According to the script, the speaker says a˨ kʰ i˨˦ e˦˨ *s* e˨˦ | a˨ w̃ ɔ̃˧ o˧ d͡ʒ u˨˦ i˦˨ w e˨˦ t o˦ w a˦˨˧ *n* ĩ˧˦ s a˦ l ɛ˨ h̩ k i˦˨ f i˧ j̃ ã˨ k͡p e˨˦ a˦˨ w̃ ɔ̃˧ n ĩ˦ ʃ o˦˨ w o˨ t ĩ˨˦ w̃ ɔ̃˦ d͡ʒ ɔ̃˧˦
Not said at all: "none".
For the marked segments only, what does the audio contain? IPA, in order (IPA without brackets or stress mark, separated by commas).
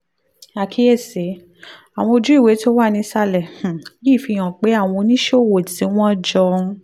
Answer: s, n